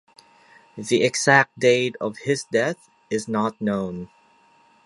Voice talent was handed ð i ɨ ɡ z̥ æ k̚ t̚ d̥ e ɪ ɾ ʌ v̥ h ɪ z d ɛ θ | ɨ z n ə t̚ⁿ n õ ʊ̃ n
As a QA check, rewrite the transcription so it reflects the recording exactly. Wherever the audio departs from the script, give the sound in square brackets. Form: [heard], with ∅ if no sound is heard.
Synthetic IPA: ð i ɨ ɡ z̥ æ k̚ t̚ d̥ e ɪ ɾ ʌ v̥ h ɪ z d ɛ θ | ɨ z n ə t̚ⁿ n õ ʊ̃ n

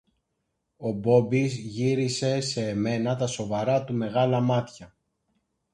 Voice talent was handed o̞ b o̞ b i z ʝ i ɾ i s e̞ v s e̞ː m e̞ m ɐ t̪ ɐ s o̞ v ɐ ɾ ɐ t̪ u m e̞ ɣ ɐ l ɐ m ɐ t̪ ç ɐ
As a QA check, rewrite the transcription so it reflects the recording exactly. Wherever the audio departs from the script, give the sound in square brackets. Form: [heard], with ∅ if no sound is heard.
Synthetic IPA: o̞ b o̞ b i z ʝ i ɾ i s e̞ [∅] s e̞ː m e̞ [n] ɐ t̪ ɐ s o̞ v ɐ ɾ ɐ t̪ u m e̞ ɣ ɐ l ɐ m ɐ t̪ ç ɐ

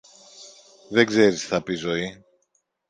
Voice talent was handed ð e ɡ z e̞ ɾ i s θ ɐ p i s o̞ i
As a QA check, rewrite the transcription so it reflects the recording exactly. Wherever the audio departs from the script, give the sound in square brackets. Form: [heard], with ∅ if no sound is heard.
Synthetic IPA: ð e ɡ z e̞ ɾ i s θ ɐ p i [z] o̞ i

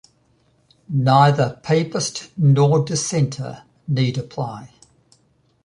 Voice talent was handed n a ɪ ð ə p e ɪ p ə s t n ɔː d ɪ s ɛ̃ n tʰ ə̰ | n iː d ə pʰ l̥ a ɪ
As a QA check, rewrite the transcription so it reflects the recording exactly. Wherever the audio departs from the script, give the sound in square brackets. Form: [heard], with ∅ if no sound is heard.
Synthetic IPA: n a ɪ ð ə [pʰ] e ɪ p ə s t n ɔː d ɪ s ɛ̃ n tʰ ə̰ | n iː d ə pʰ l̥ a ɪ

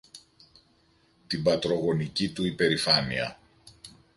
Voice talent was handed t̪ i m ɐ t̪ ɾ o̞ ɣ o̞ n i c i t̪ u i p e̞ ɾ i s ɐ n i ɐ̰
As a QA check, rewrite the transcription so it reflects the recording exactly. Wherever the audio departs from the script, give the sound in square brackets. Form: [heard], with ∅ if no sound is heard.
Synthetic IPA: t̪ i [b] ɐ t̪ ɾ o̞ ɣ o̞ n i c i t̪ u i p e̞ ɾ i [f] ɐ n i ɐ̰

